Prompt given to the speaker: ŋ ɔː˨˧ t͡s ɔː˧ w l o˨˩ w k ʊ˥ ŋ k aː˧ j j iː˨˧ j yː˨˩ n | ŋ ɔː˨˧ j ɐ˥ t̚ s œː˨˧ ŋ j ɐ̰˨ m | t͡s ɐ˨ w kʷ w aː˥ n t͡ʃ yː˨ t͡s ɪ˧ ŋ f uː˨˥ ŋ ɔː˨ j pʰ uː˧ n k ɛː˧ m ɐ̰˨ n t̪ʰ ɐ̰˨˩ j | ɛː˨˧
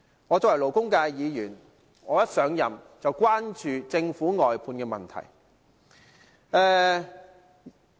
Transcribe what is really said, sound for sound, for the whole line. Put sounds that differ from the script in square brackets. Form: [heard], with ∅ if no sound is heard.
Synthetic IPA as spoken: ŋ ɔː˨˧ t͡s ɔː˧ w l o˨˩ w k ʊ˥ ŋ k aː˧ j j iː˨˧ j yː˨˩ n | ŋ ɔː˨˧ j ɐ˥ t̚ s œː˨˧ ŋ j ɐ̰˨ m | t͡s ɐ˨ w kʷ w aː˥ n t͡ʃ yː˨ t͡s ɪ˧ ŋ f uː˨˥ ŋ ɔː˨ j pʰ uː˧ n k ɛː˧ m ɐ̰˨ n t̪ʰ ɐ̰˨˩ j | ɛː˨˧